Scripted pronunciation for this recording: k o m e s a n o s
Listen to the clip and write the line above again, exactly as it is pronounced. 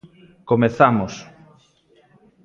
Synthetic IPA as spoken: k o m e θ a m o s